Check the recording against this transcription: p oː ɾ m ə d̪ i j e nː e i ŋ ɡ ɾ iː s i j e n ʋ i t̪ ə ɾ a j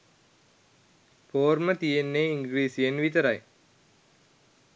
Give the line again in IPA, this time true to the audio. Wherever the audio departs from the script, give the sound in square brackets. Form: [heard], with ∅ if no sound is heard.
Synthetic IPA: p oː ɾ m ə [t̪] i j e nː e i ŋ ɡ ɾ iː s i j e n ʋ i t̪ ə ɾ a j